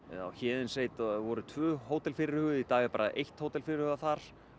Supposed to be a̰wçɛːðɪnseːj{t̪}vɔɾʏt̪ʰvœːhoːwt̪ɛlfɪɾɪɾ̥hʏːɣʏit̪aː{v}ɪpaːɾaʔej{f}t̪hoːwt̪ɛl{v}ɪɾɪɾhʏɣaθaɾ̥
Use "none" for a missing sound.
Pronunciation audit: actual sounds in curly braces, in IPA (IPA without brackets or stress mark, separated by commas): t̪, ɣ, h, f